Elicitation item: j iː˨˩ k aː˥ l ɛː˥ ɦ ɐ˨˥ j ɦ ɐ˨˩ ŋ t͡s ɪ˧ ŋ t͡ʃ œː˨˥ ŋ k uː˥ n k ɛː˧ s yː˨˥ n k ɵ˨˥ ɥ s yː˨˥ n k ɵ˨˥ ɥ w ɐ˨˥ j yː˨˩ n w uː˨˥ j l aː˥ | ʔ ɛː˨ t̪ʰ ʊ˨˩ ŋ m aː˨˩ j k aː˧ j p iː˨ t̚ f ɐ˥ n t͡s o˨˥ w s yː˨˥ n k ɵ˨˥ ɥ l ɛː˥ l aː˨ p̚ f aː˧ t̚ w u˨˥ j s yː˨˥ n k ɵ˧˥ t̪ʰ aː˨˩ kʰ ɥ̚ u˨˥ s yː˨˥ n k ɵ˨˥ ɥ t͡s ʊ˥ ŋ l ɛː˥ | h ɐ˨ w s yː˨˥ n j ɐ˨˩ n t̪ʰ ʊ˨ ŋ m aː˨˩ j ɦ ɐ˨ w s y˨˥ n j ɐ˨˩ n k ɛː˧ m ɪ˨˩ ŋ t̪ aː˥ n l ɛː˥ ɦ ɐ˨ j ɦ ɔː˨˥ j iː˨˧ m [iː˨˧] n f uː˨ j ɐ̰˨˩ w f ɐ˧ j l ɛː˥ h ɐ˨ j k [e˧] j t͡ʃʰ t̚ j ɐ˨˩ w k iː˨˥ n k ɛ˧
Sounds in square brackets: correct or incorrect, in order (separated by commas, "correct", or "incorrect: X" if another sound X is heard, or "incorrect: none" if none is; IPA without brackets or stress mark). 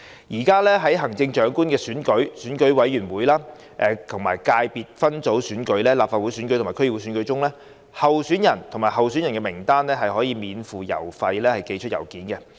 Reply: correct, correct